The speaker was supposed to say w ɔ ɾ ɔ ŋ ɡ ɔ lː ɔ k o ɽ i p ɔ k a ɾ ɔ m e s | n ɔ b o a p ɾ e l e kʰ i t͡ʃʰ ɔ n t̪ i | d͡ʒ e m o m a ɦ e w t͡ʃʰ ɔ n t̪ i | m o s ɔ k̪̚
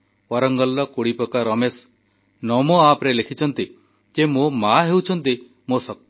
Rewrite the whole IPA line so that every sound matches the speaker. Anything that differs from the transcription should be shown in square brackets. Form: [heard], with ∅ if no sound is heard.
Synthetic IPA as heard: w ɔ ɾ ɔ ŋ ɡ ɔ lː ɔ k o ɽ i p ɔ k a ɾ ɔ m e s | n ɔ [m] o a p ɾ e l e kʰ i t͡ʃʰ ɔ n t̪ i | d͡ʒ e m o m a ɦ e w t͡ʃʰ ɔ n t̪ i | m o s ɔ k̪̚